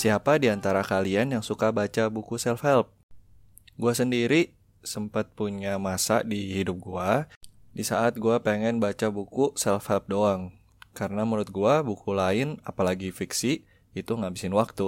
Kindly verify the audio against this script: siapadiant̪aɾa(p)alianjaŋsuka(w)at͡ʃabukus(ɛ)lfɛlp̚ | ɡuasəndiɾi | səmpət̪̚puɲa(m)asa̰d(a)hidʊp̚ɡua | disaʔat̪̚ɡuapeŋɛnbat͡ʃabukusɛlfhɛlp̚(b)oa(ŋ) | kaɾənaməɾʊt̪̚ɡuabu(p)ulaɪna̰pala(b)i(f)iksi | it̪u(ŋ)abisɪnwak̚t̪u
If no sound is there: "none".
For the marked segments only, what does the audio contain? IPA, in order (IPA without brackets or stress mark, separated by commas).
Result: k, b, ɛ, m, i, d, ŋ, k, ɡ, f, ŋ